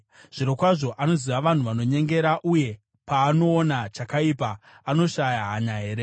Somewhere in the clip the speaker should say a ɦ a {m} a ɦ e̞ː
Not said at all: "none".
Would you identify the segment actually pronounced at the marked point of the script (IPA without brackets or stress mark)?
ɲ